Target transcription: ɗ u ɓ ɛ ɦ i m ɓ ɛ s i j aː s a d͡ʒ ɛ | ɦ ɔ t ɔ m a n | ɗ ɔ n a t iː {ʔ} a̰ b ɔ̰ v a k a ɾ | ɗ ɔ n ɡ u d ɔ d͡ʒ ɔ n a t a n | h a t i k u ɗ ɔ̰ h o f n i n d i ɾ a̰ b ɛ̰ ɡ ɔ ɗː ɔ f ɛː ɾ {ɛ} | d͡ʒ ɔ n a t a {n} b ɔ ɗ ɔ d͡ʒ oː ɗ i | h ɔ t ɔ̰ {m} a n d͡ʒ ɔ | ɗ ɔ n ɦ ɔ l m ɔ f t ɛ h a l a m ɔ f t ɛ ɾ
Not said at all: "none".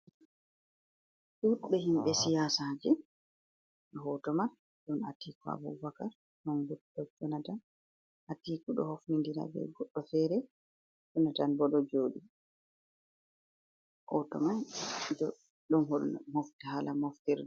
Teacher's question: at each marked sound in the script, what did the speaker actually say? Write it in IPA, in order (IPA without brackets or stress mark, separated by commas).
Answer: k, ɛ, n, m